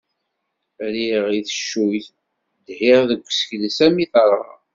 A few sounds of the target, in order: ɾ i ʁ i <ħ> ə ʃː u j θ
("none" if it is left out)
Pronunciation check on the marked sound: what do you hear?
θ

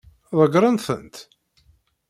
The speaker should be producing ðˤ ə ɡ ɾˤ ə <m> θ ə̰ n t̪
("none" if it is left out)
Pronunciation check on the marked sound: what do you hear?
n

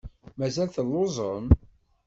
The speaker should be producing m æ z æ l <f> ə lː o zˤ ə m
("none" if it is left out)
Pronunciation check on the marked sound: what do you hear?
θ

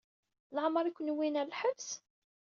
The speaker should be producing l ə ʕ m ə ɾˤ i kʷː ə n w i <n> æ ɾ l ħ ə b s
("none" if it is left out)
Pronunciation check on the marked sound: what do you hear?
n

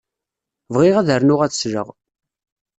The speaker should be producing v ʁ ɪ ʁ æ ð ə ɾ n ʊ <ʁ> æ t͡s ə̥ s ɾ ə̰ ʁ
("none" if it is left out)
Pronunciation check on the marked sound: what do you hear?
ʁ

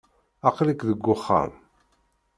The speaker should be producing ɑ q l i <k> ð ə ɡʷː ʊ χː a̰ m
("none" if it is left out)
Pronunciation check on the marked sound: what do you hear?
k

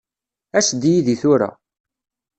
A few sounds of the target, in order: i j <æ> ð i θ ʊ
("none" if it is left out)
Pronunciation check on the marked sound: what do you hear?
i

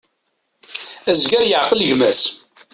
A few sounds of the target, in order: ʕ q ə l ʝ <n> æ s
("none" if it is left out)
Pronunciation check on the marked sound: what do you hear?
m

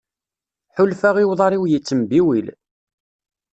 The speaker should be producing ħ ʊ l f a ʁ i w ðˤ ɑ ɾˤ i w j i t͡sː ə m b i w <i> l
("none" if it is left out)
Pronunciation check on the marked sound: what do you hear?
i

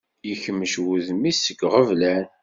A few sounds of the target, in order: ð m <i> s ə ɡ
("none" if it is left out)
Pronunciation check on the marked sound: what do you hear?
i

